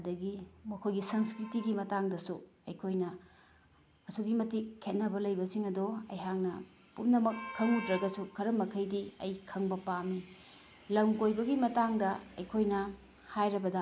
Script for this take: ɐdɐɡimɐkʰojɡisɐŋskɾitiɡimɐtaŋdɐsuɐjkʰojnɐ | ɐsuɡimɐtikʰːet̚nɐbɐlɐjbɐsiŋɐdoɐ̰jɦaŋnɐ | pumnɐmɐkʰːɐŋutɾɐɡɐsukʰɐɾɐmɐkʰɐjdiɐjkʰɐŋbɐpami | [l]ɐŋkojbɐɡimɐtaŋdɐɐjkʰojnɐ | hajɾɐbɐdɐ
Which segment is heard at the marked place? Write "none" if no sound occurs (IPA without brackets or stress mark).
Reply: l